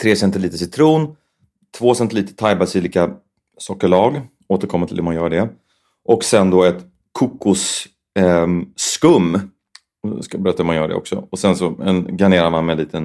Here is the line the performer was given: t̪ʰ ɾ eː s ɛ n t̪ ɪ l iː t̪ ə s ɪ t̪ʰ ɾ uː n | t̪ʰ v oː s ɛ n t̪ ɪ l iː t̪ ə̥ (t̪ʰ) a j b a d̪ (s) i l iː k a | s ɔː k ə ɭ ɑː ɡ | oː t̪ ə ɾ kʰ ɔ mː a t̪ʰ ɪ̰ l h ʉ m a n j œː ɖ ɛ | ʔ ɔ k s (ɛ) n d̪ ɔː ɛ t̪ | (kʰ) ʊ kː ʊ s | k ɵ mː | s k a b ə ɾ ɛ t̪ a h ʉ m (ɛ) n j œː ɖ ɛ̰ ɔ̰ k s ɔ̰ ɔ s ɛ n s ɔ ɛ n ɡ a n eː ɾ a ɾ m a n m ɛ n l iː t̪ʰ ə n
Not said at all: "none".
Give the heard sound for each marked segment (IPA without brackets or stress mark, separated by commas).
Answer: t̪ʰ, s, ɛ, kʰ, a